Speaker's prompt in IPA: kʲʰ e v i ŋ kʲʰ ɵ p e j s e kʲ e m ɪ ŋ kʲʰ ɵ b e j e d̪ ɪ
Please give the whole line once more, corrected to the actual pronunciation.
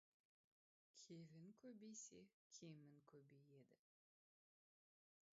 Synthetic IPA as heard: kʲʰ e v ɪ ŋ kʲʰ ɵ b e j s e kʲʰ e m ɪ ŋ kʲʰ ɵ b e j e d̪ ɪ